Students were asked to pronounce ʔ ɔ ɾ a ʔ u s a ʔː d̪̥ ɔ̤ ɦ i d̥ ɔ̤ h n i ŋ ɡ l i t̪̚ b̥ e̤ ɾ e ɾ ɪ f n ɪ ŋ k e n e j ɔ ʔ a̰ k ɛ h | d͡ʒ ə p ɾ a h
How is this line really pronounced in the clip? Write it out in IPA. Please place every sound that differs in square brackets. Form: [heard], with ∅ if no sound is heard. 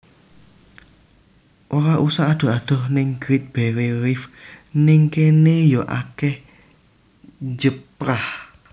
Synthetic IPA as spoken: ʔ [o] ɾ a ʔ u s a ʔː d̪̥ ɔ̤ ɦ [a] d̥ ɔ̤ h n [ɪ] ŋ ɡ [ɾ] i t̪̚ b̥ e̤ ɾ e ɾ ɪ f n ɪ ŋ k e n e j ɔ ʔ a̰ k ɛ h | d͡ʒ ə p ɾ a h